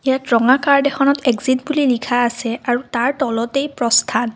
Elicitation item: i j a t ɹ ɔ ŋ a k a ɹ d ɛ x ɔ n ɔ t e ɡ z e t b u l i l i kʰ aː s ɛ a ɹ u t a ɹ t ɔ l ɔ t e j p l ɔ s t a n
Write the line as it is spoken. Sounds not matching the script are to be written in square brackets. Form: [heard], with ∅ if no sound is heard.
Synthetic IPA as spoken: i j a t ɹ ɔ ŋ a k a ɹ d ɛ x ɔ n ɔ t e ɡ z [i] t b u l i l i kʰ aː s ɛ a ɹ u t a ɹ t ɔ l ɔ t e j p [ɹ] ɔ s [tʰ] a n